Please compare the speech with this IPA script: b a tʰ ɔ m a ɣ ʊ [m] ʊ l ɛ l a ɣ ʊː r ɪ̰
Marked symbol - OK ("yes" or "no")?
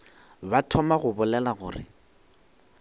no